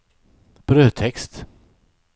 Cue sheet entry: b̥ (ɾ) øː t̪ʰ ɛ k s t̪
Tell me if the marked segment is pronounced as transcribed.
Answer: yes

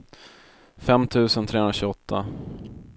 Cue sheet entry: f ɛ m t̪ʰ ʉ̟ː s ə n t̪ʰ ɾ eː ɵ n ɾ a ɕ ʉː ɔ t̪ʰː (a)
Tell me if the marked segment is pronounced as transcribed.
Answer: yes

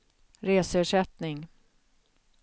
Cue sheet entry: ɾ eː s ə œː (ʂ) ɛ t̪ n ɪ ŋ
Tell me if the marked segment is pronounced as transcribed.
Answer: yes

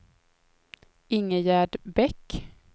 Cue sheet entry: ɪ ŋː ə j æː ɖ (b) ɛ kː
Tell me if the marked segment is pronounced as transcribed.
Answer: yes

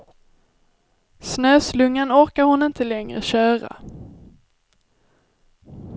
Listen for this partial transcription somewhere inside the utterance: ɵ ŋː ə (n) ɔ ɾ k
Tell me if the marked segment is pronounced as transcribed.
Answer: yes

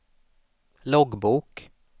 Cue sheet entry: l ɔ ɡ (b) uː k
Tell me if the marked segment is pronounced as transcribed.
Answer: yes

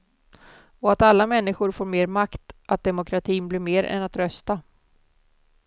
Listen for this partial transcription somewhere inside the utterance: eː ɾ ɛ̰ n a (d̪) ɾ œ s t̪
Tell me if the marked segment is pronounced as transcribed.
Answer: no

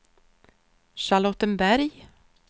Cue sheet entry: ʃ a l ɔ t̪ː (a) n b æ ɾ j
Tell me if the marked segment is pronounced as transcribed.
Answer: no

